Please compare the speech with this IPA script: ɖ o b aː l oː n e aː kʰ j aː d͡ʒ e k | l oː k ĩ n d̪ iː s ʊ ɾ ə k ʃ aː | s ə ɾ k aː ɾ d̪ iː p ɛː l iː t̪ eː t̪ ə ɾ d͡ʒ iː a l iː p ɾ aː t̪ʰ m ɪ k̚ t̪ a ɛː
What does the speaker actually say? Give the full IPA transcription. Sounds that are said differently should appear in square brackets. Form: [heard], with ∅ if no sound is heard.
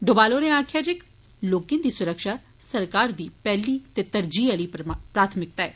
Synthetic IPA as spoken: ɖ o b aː l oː n e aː kʰ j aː d͡ʒ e k | l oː k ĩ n d̪ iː s ʊ ɾ ə k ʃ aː | s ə ɾ k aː ɾ d̪ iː p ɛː l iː t̪ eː t̪ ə ɾ d͡ʒ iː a l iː p ɾ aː t̪ʰ m ɪ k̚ t̪ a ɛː